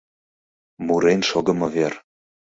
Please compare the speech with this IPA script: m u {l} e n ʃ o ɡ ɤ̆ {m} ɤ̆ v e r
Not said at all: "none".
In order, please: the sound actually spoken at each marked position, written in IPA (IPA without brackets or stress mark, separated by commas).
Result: ɾ, m